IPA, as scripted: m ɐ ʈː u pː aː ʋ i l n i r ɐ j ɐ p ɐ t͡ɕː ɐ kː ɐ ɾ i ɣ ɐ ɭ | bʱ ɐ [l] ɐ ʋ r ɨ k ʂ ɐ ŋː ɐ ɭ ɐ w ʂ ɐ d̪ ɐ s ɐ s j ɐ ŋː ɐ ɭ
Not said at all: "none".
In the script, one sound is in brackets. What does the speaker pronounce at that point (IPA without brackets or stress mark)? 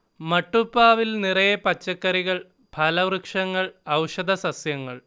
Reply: l